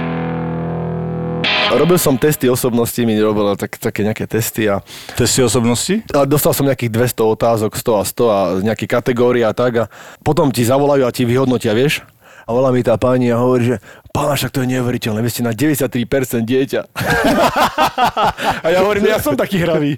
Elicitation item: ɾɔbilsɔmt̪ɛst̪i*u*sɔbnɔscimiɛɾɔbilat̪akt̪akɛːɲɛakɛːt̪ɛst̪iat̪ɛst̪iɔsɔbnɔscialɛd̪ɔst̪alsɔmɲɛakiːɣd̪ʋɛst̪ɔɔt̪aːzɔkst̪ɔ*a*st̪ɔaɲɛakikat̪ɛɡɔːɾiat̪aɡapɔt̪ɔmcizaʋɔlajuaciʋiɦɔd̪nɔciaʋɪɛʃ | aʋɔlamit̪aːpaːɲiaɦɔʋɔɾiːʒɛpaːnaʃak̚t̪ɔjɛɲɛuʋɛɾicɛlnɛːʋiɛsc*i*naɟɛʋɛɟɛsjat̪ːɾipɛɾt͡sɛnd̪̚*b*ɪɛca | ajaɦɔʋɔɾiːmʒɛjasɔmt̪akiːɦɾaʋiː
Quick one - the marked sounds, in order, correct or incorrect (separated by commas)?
incorrect, correct, incorrect, incorrect